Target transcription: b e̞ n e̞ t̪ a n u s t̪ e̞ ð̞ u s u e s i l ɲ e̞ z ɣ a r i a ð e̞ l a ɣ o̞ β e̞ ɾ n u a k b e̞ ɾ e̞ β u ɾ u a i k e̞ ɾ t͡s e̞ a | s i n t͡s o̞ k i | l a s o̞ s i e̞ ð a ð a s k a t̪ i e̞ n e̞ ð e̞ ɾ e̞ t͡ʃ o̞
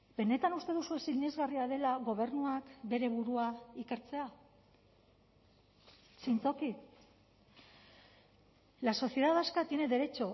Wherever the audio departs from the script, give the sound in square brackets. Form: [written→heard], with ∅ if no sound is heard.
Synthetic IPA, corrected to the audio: b e̞ n e̞ t̪ a n u s t̪ e̞ ð̞ u s u e s i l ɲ e̞ z ɣ a r i a ð e̞ l a ɣ o̞ β e̞ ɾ n u a k b e̞ ɾ e̞ β u ɾ u a i k e̞ ɾ t͡s e̞ a | s i n t͡s o̞ k i | l a s o̞ s i e̞ ð a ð a s k a t̪ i e̞ n e̞ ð e̞ ɾ e̞ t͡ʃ o̞